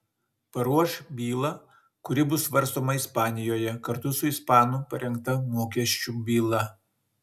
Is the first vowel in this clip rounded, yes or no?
no